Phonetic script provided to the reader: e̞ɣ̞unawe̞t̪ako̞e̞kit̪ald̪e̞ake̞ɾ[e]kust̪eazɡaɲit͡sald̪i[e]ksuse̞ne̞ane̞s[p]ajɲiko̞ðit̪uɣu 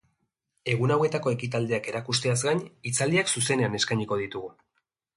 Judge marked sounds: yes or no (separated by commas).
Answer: no, no, no